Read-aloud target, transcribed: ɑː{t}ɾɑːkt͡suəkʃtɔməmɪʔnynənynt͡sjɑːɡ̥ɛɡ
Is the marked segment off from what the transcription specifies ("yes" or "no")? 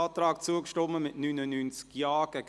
no